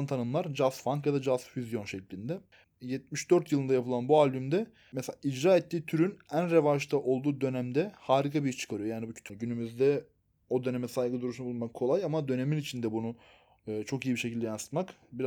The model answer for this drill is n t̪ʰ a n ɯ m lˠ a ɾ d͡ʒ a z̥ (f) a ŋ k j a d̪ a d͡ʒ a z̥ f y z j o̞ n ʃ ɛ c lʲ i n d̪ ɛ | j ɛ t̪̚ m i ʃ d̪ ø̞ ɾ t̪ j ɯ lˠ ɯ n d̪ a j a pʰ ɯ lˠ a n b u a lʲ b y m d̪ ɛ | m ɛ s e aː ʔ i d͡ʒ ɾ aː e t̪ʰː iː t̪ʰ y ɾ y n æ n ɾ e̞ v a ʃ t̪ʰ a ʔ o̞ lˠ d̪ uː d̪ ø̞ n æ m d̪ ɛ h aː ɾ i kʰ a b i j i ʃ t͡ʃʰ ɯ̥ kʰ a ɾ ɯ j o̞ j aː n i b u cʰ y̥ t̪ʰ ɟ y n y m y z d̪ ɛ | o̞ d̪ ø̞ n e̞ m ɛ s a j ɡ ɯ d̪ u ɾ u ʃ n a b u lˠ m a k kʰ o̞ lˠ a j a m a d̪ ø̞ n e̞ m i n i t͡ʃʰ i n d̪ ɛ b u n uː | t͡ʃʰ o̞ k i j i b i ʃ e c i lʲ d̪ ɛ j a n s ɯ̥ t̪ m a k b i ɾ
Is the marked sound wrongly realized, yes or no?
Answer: no